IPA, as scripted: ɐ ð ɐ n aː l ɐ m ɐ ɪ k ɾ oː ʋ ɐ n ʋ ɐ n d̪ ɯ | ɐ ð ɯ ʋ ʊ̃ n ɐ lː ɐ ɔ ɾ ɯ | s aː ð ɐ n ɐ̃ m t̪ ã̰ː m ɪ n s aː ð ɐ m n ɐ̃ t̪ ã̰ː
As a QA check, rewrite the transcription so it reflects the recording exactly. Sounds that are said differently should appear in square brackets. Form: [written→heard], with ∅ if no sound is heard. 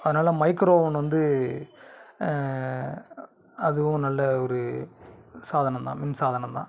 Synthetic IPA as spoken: ɐ ð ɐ n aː l ɐ m ɐ ɪ k ɾ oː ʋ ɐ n ʋ ɐ n d̪ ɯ | ɐ ð ɯ ʋ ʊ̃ n ɐ lː ɐ ɔ ɾ ɯ | s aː ð ɐ n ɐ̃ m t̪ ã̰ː m ɪ n s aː ð ɐ [m→∅] n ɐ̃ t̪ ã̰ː

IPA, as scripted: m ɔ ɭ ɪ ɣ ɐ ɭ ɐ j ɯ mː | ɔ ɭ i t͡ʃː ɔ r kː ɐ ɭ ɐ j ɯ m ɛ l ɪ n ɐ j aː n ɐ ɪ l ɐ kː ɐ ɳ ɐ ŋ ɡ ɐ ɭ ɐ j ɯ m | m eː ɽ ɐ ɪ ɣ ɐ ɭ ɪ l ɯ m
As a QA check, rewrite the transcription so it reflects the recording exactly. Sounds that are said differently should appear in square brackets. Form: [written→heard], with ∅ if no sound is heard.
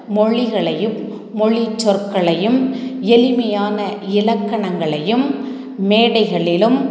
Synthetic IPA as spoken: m ɔ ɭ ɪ ɣ ɐ ɭ ɐ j ɯ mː | ɔ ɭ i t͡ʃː ɔ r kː ɐ ɭ ɐ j ɯ m ɛ l ɪ [n→m] ɐ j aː n ɐ ɪ l ɐ kː ɐ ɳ ɐ ŋ ɡ ɐ ɭ ɐ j ɯ m | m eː ɽ ɐ ɪ ɣ ɐ ɭ ɪ l ɯ m

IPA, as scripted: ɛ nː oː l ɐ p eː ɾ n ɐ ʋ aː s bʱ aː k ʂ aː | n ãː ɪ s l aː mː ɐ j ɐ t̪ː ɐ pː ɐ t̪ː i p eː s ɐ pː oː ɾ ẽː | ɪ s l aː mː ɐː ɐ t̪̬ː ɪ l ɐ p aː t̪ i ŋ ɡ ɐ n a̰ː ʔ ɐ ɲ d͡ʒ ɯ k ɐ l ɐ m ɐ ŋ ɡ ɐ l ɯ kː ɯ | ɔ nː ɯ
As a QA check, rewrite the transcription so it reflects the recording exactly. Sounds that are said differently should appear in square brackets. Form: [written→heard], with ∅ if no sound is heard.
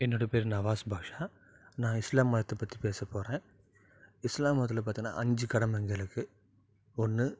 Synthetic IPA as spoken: ɛ nː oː [l→ɽ] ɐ p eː ɾ n ɐ ʋ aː s bʱ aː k ʂ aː | n ãː ɪ s l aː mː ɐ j ɐ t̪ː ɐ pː ɐ t̪ː i p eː s ɐ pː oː ɾ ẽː | ɪ s l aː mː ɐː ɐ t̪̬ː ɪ l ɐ p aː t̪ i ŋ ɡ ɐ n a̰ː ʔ ɐ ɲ d͡ʒ ɯ k ɐ [l→ɽ] ɐ m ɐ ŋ ɡ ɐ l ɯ kː ɯ | ɔ nː ɯ

